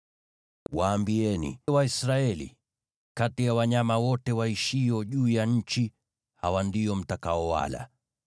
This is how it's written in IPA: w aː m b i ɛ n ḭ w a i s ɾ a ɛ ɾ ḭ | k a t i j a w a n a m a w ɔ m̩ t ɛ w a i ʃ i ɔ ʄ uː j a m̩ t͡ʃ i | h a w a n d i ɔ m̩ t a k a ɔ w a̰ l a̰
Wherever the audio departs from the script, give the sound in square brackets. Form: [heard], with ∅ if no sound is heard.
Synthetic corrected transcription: w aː m b i ɛ n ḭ w a i s ɾ a ɛ [l] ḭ | k a t i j a w a [ɲ] a m a w ɔ [∅] t ɛ w a i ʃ i ɔ ʄ uː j a [ɲ̩] t͡ʃ i | h a w a n d i ɔ m̩ t a k a ɔ w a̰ l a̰